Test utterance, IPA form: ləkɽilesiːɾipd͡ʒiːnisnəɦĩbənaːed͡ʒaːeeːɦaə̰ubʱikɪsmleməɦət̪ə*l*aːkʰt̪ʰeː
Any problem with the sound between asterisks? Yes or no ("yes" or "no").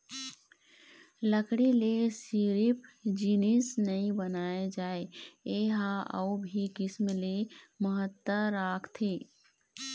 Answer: yes